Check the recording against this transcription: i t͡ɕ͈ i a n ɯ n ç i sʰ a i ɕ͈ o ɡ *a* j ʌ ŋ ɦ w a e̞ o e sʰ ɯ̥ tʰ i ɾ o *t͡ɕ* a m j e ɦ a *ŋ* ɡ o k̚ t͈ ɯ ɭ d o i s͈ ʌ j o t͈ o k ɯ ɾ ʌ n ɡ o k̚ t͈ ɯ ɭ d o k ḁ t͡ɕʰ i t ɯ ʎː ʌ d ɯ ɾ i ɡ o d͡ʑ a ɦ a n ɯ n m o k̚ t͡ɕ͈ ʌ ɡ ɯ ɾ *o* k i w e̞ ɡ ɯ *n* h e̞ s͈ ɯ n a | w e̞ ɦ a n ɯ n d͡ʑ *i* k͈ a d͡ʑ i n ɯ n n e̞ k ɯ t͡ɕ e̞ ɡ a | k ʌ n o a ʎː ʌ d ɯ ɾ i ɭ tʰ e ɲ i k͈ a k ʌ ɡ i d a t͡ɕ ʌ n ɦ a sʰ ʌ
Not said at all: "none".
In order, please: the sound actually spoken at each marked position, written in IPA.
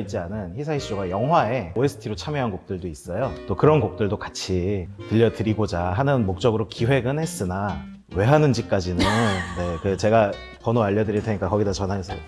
a, t͡ɕʰ, n, o, n, i

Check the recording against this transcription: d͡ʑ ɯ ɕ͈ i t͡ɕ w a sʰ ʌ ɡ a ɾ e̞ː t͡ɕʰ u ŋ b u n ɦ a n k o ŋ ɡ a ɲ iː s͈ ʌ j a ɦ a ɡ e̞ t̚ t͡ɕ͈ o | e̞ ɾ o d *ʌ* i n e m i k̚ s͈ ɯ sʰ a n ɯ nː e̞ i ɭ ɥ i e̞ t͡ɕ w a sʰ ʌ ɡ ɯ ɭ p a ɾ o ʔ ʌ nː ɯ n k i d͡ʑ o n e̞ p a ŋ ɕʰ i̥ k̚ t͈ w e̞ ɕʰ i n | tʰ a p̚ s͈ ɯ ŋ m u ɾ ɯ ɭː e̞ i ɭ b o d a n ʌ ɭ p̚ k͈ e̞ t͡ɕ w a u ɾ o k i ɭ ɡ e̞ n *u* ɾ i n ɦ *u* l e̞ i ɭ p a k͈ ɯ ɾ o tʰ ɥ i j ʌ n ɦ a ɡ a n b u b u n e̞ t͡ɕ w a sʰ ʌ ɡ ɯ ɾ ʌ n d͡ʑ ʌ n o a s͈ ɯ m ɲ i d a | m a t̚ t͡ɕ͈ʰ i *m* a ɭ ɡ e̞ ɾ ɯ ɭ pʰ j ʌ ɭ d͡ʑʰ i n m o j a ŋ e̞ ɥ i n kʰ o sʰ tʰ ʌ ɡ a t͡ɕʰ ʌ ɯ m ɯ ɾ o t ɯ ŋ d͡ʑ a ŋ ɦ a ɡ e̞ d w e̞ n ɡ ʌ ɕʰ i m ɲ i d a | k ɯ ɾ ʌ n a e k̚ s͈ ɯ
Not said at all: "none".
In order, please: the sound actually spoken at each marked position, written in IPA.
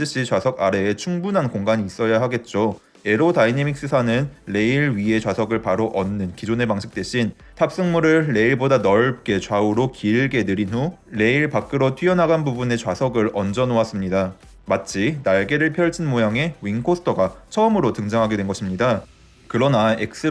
a, ɯ, u, n

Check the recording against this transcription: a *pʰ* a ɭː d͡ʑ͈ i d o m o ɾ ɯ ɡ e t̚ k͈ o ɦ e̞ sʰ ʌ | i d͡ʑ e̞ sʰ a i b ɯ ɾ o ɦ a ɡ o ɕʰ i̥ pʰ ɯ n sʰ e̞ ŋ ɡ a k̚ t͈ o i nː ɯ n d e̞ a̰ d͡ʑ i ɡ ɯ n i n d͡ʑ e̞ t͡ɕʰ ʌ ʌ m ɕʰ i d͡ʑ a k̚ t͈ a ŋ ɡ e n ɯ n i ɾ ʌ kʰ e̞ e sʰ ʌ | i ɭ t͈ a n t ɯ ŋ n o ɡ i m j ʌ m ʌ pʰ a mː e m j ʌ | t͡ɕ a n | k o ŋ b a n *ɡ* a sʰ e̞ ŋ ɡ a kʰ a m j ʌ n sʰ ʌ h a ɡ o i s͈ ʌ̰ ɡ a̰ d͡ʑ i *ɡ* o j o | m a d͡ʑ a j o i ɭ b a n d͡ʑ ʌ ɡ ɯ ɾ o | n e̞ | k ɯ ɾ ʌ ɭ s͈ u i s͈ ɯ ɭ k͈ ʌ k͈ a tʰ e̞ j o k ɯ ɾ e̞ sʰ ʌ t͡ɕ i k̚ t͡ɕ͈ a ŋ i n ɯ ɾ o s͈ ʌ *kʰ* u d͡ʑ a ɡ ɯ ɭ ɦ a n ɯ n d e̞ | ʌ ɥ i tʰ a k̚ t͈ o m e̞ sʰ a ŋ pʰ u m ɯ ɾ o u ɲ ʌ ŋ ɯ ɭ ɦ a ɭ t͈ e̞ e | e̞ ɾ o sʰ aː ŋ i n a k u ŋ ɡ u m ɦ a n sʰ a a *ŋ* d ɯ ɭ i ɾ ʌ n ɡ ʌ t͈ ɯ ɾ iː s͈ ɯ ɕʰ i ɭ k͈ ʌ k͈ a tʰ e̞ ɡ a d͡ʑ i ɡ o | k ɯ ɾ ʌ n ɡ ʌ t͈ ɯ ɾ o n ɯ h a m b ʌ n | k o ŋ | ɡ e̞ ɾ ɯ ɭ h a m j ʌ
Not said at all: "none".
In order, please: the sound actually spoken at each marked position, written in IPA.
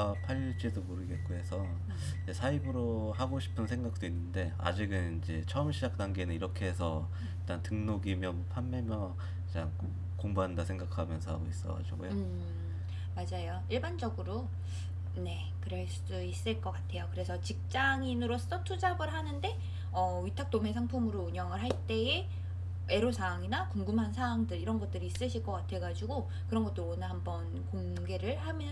pʰ, d, ɡ, tʰ, ŋ

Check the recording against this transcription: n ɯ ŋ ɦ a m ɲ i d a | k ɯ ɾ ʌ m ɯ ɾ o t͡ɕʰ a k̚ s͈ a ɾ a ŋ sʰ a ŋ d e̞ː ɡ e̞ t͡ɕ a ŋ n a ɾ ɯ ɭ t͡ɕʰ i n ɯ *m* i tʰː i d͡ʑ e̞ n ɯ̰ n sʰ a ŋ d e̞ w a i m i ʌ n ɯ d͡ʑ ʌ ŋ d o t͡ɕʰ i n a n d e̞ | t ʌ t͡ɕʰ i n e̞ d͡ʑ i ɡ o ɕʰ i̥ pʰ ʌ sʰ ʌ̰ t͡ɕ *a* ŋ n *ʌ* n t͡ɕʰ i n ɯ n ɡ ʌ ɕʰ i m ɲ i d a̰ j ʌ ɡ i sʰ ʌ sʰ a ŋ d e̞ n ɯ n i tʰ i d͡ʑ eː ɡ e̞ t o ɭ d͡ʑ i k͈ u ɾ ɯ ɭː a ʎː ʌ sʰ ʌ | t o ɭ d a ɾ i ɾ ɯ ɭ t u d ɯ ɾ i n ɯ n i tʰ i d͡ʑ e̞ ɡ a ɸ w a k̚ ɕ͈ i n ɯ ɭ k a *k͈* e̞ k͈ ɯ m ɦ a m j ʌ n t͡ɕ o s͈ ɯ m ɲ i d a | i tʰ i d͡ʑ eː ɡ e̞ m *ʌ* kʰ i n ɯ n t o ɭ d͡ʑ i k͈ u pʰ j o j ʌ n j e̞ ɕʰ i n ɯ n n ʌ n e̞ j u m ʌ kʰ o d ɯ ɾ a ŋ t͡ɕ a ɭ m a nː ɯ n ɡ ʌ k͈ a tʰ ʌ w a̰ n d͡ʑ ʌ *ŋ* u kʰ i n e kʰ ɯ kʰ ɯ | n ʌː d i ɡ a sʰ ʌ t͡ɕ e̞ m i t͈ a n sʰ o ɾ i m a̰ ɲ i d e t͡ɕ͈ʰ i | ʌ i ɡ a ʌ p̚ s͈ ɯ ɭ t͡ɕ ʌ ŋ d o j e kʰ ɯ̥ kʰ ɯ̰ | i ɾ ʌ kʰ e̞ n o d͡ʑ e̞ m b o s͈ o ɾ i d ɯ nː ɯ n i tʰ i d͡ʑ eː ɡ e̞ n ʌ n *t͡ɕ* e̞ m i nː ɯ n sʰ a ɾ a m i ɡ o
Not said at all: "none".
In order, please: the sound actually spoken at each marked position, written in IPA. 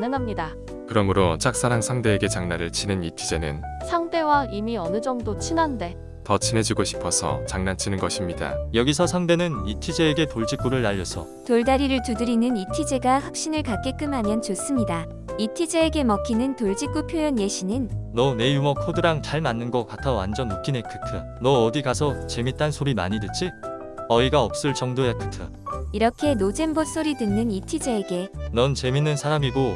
n, a, a, k͈, ʌ, n, t͡ɕ

